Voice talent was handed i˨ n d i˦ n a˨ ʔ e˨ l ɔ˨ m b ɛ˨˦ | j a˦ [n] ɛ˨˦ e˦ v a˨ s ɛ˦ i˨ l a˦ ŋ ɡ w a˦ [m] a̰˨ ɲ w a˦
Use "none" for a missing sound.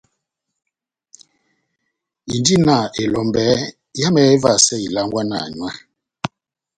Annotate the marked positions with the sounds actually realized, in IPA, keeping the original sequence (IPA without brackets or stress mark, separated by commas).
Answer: m, n